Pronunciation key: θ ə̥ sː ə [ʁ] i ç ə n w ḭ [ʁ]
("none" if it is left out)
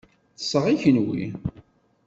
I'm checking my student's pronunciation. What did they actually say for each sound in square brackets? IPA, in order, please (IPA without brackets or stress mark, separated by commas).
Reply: ʁ, none